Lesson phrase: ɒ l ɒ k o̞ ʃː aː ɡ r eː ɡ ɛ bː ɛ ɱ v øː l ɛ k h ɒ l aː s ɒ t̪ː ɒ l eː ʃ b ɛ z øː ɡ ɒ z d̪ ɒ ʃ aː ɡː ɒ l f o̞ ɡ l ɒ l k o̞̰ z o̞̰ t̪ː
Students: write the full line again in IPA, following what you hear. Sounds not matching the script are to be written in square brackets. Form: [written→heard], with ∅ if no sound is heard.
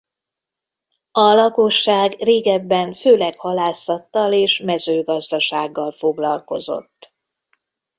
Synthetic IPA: ɒ l ɒ k o̞ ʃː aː ɡ r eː ɡ ɛ bː ɛ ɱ [v→f] øː l ɛ k h ɒ l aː s ɒ t̪ː ɒ l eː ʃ [b→m] ɛ z øː ɡ ɒ z d̪ ɒ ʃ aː ɡː ɒ l f o̞ ɡ l ɒ l k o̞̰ z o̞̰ t̪ː